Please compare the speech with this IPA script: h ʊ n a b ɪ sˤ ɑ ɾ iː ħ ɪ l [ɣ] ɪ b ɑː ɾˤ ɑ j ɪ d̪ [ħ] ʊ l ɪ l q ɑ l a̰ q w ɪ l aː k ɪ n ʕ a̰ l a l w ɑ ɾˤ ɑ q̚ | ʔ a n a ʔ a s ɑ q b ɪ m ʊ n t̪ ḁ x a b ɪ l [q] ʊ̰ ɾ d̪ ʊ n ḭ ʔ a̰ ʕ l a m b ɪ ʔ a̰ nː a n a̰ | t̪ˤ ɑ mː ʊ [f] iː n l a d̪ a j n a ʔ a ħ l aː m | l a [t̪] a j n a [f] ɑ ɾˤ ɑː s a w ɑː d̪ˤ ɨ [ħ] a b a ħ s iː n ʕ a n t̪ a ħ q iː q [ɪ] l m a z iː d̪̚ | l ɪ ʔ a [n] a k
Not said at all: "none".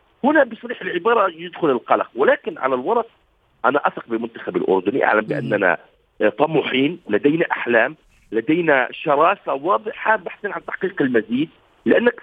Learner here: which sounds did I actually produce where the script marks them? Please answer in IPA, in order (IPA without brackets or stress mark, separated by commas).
ʕ, x, ʔ, ħ, d̪, ʃ, ħ, ɪ, nː